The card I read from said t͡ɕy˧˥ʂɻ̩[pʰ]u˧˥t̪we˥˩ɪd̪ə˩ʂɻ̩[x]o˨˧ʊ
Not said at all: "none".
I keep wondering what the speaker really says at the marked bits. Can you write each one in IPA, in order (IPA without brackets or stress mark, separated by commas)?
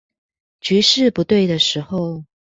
p, x